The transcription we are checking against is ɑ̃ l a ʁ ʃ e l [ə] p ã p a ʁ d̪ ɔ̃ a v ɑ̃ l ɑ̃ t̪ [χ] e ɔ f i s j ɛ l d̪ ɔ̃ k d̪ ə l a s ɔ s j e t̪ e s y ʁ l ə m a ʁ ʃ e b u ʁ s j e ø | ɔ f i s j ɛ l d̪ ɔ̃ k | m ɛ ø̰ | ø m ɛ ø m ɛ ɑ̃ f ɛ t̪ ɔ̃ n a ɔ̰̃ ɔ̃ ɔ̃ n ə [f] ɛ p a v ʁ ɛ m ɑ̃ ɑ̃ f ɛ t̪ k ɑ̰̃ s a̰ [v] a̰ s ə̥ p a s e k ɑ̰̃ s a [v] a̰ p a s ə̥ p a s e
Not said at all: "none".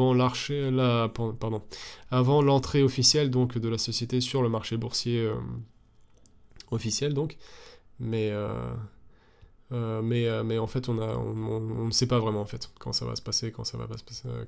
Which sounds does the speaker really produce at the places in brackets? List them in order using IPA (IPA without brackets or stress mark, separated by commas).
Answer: a, χ, s, v, v